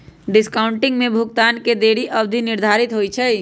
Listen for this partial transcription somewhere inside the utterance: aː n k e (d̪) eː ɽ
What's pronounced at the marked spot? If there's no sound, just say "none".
d̪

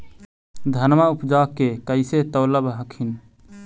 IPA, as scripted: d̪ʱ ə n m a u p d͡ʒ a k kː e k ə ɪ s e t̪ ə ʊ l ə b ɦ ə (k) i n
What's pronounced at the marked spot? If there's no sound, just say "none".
kʰ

